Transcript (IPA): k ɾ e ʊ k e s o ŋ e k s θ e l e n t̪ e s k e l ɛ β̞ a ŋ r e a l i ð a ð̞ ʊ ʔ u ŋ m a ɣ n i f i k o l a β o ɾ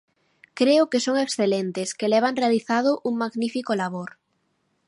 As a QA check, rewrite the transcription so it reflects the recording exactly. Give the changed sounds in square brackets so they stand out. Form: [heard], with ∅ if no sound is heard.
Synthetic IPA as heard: k ɾ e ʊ k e s o ŋ e k s θ e l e n t̪ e s k e l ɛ β̞ a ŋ r e a l i [θ] a ð̞ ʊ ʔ u ŋ m a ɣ n i f i k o l a β o ɾ